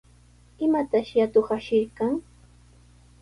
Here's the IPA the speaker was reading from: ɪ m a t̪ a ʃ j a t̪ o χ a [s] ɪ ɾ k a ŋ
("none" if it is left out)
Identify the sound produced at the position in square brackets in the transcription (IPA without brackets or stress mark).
ʃ